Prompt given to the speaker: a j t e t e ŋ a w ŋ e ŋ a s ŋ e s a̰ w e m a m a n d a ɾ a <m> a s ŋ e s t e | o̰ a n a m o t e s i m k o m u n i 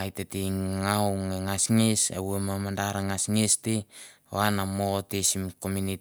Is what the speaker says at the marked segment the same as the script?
no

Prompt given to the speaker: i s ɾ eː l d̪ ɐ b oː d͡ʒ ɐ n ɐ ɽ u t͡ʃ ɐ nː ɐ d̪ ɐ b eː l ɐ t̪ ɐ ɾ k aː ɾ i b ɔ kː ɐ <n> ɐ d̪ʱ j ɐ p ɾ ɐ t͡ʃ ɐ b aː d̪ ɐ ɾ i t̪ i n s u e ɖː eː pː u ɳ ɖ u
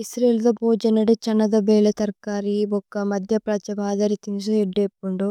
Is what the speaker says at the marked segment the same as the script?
no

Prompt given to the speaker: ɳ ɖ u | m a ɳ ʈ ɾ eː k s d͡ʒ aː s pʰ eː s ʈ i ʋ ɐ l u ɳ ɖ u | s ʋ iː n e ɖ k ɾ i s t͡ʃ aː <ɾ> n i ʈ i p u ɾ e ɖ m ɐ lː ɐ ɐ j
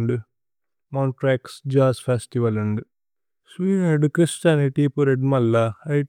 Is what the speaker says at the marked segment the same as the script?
no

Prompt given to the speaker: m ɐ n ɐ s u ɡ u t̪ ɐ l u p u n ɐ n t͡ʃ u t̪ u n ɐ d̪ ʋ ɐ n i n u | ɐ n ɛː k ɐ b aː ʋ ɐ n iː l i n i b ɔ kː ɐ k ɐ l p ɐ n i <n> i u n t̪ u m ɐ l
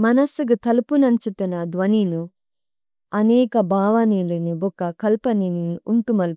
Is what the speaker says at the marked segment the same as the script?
yes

